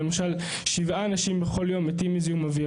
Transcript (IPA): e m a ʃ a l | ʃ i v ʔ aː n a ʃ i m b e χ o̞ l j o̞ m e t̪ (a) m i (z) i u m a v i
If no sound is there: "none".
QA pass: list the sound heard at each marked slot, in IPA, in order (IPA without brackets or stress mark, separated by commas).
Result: i, z